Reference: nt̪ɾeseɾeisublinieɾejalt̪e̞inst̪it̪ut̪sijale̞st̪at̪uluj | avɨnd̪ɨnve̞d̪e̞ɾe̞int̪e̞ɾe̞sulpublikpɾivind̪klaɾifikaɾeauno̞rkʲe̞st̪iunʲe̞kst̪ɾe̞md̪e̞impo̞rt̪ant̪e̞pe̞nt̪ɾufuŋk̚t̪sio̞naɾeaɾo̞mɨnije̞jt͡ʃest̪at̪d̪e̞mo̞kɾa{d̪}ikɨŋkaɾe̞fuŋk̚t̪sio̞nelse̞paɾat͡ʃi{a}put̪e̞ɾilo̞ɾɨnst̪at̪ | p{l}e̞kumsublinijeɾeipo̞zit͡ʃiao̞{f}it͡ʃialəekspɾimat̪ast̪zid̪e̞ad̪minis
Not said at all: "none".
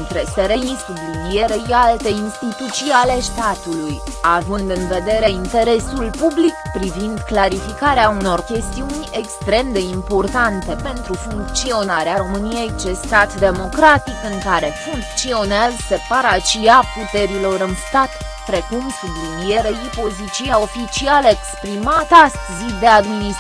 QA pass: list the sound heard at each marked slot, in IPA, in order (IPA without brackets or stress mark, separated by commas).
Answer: t̪, a, ɾ, f